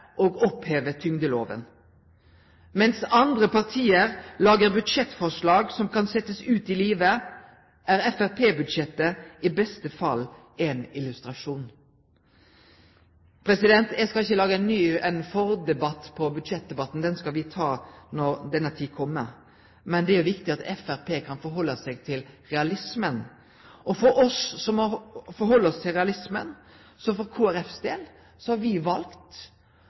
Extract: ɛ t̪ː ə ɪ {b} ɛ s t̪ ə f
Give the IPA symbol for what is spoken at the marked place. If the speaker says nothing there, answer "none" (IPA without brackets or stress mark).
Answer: b